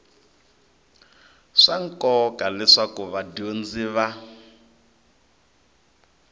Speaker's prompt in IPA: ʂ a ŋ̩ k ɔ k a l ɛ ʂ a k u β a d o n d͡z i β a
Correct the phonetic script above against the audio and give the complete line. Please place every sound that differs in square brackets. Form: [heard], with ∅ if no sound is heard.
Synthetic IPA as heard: ʂ a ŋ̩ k ɔ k a l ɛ ʂ a k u β a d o n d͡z i β a